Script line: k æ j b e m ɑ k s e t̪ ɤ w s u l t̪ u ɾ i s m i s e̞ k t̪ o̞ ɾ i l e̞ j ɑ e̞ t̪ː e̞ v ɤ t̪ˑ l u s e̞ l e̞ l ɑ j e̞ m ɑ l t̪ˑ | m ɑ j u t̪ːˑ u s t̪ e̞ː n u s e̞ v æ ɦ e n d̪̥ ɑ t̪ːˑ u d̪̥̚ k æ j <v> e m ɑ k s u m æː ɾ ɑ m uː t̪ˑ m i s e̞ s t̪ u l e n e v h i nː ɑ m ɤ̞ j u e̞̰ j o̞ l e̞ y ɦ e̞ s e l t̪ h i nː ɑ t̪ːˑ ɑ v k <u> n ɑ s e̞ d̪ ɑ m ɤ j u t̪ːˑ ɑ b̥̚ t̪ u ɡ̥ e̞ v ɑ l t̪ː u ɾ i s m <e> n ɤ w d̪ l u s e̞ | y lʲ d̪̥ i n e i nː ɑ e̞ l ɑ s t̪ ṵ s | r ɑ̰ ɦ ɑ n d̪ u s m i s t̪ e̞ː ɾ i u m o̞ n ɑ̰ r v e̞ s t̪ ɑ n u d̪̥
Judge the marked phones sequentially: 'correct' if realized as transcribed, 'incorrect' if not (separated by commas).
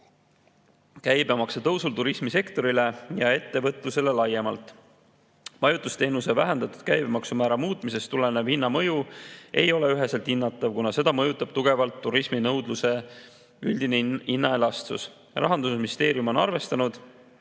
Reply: incorrect, correct, incorrect